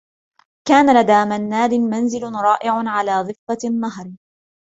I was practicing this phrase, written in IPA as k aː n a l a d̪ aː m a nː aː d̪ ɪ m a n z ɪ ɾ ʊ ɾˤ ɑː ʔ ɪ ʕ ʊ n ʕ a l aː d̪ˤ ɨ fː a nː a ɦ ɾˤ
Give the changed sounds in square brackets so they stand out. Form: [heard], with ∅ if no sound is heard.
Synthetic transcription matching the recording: k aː n a l a d̪ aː m a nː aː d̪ ɪ m a n z ɪ [l] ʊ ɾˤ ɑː ʔ ɪ ʕ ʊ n ʕ a l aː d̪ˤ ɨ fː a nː a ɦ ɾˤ

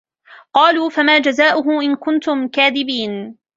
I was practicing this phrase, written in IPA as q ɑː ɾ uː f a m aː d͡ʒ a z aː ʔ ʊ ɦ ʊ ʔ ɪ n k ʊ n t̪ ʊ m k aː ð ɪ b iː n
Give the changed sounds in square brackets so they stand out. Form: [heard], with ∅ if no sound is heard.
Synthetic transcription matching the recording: q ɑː [l] uː f a m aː d͡ʒ a z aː ʔ ʊ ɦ ʊ ʔ ɪ n k ʊ n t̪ ʊ m k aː ð ɪ b iː n

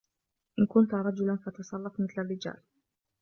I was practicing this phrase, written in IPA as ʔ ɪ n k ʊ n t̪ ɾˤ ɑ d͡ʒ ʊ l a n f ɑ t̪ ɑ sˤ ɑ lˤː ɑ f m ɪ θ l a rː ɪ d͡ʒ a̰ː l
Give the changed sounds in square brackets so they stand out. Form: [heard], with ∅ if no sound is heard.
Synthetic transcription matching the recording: ʔ ɪ n k ʊ n t̪ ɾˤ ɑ d͡ʒ ʊ l a n f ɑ t̪ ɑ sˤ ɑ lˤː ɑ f m ɪ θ l a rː ɪ d͡ʒ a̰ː l

